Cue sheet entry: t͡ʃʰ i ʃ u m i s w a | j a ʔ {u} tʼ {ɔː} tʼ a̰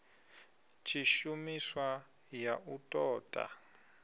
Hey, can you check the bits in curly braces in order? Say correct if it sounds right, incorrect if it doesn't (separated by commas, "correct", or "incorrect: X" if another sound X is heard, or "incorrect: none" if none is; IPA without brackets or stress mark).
correct, correct